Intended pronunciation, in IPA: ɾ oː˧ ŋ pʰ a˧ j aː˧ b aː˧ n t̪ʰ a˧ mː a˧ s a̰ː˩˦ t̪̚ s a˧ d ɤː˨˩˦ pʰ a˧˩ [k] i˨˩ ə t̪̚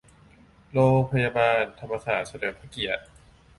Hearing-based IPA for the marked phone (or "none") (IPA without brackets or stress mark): k